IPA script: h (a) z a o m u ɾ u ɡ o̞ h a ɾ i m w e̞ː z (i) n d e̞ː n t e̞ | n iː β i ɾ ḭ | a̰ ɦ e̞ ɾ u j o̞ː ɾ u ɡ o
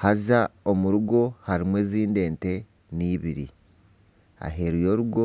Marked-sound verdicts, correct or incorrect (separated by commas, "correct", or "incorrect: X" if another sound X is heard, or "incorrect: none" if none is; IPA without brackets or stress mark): correct, incorrect: iː